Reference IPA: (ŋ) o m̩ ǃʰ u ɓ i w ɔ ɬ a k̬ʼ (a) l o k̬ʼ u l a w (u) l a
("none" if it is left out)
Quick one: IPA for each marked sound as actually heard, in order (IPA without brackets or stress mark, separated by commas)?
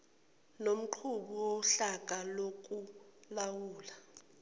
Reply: n, a, uː